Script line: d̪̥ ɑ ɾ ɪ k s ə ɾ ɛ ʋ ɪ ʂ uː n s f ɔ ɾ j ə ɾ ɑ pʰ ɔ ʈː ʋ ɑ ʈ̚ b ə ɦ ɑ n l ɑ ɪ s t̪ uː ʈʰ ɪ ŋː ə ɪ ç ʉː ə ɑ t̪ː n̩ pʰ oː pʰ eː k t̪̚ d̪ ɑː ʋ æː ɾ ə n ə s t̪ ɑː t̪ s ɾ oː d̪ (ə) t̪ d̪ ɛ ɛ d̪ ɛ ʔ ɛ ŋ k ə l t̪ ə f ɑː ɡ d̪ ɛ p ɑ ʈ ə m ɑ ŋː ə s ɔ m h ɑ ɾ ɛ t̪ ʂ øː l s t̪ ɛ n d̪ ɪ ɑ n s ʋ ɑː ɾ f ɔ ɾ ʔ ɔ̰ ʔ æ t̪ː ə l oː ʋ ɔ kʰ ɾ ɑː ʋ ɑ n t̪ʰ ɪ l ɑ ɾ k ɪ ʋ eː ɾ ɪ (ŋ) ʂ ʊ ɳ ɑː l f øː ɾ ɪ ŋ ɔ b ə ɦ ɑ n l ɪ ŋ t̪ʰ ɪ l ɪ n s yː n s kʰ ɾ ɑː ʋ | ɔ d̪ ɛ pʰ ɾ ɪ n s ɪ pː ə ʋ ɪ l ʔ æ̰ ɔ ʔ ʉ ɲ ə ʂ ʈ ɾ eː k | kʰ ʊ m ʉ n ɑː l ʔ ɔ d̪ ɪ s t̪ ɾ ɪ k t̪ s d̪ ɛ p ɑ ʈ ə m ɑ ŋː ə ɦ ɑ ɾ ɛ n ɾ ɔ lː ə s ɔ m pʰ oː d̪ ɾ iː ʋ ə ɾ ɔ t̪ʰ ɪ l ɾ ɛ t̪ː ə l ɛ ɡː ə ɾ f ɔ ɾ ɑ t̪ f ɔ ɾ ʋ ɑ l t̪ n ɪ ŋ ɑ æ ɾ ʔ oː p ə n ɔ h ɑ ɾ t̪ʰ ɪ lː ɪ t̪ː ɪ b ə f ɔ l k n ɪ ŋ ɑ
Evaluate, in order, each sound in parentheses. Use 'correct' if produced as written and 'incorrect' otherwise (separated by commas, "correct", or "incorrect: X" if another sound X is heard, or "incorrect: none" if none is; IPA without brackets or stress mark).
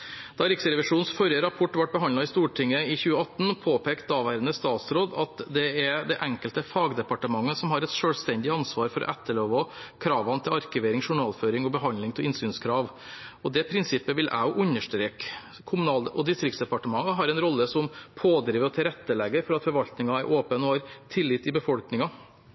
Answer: incorrect: ɑ, correct